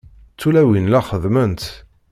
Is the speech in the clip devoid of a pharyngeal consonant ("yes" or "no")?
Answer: yes